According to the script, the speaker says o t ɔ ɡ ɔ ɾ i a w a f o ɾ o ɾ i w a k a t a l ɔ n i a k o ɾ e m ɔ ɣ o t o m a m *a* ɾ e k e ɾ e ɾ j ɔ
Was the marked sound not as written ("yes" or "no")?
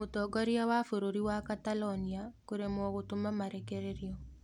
no